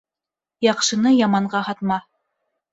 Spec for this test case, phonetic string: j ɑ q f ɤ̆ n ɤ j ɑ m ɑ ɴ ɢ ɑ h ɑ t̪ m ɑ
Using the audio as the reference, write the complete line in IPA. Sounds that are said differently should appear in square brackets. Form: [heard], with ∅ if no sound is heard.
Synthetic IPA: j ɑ q [ʃ] ɤ̆ n ɤ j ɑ m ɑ ɴ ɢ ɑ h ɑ t̪ m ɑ